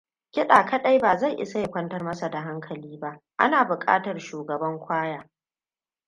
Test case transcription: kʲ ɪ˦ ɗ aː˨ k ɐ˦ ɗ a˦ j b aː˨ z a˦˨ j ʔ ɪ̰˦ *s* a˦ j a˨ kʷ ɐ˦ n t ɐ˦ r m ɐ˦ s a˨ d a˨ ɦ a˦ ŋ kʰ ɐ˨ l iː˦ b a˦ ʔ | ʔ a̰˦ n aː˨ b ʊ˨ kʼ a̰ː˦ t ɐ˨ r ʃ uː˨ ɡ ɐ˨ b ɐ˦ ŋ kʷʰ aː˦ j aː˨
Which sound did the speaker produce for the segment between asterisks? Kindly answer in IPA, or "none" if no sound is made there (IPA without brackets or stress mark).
s